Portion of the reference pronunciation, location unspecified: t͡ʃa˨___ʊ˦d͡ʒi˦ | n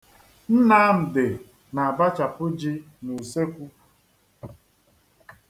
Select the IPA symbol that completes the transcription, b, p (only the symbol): p